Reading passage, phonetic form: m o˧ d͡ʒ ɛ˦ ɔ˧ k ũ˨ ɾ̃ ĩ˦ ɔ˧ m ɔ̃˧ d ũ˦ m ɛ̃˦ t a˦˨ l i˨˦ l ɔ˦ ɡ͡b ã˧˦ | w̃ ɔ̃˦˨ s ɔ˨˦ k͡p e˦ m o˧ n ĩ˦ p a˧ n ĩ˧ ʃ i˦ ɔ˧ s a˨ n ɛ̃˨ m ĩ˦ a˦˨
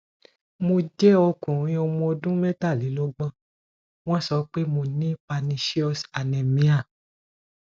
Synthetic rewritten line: m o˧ d͡ʒ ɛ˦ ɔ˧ k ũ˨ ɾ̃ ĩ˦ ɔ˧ m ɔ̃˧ d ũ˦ m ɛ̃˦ t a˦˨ l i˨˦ l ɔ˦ ɡ͡b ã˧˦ | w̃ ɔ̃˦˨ s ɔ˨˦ k͡p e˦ m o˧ n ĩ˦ p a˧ n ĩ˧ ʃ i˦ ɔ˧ s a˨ n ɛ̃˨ m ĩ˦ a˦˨